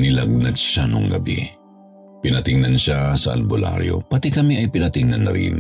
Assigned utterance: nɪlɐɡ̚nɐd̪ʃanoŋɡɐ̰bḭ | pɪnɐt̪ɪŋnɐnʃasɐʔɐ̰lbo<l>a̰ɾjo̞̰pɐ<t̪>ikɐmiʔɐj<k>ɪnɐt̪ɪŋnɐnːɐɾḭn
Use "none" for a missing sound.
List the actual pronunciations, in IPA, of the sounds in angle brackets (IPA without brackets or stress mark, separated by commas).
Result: l, t̪, p